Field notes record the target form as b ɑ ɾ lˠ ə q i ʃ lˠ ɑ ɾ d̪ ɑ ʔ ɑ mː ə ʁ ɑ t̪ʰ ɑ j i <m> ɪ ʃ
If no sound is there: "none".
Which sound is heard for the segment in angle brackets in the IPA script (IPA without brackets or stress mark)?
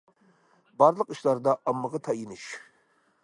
n